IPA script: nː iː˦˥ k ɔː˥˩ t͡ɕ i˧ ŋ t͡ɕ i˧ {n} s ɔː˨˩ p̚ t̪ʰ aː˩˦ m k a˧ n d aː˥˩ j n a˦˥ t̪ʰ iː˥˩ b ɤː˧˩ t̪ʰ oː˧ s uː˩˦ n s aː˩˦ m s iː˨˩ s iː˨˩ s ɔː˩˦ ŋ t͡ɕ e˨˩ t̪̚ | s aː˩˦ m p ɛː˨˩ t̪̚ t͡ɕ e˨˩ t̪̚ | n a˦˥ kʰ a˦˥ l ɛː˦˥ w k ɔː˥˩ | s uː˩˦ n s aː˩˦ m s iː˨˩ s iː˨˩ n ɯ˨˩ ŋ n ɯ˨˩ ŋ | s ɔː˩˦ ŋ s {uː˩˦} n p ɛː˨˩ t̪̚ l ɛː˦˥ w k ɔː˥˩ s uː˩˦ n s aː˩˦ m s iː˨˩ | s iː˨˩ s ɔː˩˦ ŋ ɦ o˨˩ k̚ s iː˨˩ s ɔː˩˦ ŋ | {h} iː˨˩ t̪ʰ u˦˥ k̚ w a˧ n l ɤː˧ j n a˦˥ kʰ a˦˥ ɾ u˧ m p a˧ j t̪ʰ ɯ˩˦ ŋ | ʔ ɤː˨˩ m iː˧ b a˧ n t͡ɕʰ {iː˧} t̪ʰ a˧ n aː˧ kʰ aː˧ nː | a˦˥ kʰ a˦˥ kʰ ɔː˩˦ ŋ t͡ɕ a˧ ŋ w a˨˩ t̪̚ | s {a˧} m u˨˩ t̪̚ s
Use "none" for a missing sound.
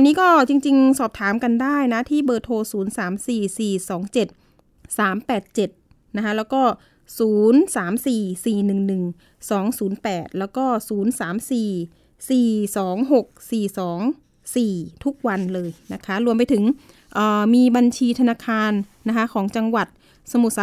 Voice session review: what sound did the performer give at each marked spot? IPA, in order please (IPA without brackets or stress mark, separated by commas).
ŋ, uː˩˦, s, iː˧, a˧